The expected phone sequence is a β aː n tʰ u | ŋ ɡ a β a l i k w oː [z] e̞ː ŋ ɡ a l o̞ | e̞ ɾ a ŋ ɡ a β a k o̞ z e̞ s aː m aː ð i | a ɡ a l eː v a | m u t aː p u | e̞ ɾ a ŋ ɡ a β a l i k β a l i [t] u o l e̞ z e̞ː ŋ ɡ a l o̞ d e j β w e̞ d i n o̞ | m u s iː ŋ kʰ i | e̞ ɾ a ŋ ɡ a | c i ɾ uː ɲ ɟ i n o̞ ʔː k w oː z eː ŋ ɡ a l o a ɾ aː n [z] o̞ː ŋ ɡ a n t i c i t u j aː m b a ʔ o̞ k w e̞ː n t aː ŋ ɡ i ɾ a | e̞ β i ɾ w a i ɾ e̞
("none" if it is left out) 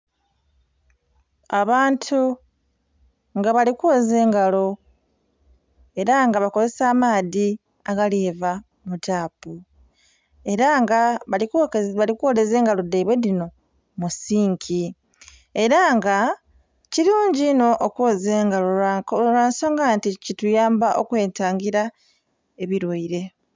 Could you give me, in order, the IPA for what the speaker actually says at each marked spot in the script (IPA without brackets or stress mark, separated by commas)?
z, k, s